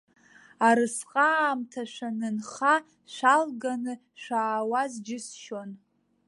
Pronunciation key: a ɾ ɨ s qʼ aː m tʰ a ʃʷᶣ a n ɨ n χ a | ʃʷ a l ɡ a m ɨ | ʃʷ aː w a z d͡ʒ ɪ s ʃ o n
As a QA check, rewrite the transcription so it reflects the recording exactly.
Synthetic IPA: a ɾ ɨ s qʼ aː m tʰ a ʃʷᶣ a n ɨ n χ a | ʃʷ a l ɡ a n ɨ | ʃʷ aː w a z d͡ʒ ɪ s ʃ o n